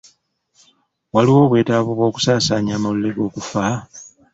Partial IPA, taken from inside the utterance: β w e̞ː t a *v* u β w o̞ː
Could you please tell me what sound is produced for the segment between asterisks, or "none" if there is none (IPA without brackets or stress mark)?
β